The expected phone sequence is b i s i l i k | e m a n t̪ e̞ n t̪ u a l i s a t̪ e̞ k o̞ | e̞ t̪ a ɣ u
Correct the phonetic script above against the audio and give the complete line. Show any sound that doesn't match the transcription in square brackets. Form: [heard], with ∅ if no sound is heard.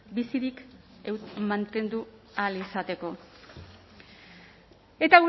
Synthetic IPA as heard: b i s i [ɾ] i k | e m a n t̪ e̞ n [d̪] u a l i s a t̪ e̞ k o̞ | e̞ t̪ a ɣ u